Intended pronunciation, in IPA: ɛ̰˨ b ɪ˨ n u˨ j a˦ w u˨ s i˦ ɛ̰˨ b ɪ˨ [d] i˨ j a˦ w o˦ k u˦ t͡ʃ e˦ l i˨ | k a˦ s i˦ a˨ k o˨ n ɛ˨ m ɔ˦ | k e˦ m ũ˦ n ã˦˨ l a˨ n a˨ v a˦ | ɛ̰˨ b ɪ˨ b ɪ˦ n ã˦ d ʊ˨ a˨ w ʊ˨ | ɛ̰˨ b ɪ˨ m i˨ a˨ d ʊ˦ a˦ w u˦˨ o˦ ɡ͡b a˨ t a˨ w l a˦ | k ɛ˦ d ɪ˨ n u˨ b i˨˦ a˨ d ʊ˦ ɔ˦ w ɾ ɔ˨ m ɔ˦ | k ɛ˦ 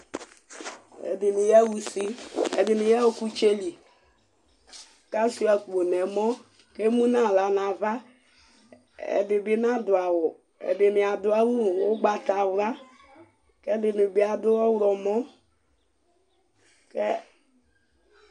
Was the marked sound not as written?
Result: yes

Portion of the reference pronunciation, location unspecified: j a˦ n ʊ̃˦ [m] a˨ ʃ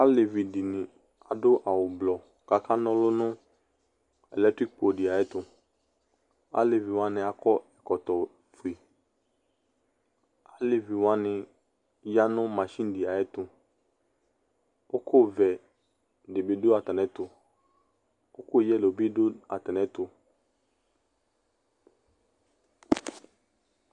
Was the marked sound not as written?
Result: no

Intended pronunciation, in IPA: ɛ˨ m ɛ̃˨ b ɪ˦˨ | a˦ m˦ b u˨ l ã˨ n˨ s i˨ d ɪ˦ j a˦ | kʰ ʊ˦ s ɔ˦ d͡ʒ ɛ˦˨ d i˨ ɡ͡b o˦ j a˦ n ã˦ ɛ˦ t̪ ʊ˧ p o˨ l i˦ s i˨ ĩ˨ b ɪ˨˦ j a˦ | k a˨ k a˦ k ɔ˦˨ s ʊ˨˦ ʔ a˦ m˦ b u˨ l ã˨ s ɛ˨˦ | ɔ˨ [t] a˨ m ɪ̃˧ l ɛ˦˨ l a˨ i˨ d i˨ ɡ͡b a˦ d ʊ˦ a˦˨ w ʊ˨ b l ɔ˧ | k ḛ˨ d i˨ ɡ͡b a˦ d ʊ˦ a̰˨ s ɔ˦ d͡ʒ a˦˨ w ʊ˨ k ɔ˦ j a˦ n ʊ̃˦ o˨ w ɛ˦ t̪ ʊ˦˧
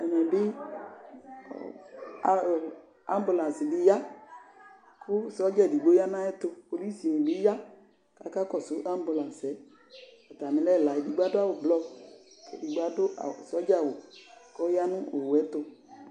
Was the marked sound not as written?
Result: no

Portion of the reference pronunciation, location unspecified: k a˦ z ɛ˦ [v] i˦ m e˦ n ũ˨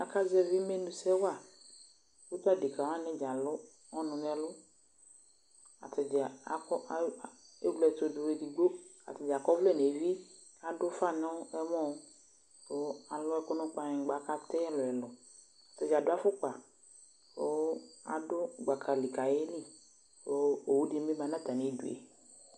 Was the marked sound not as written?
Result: no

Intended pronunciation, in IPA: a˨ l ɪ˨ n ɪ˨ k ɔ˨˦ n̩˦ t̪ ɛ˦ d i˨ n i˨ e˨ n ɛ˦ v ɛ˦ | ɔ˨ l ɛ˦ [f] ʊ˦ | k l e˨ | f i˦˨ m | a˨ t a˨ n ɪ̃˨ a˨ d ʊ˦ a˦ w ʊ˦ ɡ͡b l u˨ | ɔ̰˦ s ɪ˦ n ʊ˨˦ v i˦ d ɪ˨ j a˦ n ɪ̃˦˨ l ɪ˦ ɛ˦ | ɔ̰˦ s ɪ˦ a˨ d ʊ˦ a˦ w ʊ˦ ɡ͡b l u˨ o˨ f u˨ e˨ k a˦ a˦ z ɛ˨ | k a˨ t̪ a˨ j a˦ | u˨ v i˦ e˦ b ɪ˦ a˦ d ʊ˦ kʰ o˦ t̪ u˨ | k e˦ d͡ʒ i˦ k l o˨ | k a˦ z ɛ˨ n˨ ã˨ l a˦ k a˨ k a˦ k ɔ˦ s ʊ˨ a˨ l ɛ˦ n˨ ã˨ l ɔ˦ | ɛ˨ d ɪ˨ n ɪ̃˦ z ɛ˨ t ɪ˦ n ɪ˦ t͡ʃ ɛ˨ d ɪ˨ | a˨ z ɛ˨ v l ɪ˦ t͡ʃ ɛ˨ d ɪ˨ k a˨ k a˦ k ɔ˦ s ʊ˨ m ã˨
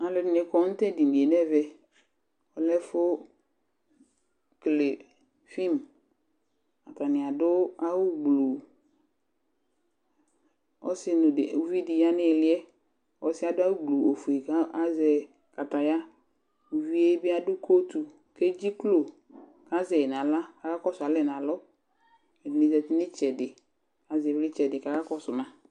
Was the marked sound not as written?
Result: no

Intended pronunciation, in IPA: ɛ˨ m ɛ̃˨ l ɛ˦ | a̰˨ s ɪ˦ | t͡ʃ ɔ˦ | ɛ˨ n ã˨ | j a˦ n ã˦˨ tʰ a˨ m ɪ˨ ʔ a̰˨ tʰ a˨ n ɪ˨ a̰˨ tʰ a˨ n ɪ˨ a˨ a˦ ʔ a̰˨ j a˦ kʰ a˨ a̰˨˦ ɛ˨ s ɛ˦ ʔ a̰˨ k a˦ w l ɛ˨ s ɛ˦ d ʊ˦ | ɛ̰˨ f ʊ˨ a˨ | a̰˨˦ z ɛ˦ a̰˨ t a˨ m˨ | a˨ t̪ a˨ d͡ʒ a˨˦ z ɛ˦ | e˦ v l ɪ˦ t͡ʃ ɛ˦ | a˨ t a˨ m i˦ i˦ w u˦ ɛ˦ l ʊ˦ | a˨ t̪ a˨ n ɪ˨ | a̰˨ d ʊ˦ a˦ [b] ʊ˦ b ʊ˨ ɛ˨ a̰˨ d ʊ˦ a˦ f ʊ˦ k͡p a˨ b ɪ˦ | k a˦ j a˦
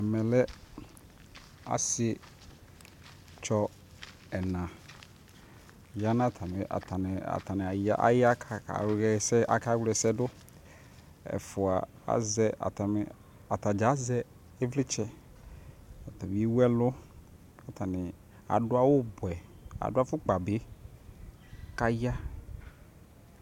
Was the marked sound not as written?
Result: yes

